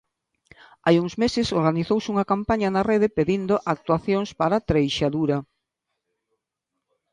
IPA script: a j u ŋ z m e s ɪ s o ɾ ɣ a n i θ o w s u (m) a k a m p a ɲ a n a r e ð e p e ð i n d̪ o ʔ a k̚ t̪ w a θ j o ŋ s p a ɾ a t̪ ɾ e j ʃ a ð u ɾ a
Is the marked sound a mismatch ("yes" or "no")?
yes